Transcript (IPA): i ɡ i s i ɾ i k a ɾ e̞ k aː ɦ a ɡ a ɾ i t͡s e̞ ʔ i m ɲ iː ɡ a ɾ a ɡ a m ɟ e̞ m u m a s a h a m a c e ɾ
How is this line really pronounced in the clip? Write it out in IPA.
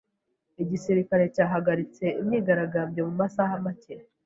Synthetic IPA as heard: i ɟ i s i ɾ i k a ɾ e̞ c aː ɦ a ɡ a ɾ i t͡s e̞ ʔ i m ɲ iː ɡ a ɾ a ɡ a m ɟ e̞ m u m a s a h a m a c e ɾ